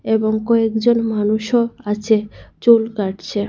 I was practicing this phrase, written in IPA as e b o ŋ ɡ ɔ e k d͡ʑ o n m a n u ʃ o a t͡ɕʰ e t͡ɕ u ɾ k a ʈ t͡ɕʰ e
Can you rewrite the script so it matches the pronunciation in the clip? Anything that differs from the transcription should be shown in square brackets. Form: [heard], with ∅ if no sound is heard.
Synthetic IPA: e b o ŋ [k] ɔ e k d͡ʑ o n m a n u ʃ o a t͡ɕʰ e t͡ɕ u [l] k a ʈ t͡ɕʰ e

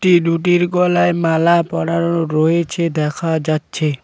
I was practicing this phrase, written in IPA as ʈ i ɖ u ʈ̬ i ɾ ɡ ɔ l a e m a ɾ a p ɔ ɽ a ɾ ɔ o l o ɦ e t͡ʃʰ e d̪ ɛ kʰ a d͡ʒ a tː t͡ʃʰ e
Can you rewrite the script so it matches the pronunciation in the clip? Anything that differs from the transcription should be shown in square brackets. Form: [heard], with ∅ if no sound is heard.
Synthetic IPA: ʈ i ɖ u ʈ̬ i ɾ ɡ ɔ l a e m a [l] a p ɔ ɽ a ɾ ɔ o [ɾ] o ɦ e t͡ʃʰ e d̪ ɛ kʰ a d͡ʒ a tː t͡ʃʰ e

